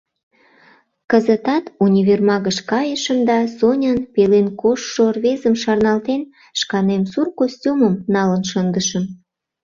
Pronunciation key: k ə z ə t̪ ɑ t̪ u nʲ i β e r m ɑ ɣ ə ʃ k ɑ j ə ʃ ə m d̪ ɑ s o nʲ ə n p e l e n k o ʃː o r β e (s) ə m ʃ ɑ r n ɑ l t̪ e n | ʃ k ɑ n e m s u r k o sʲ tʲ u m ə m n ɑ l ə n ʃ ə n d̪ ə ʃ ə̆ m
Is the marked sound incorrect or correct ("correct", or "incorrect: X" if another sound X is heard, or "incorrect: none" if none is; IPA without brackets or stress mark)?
incorrect: z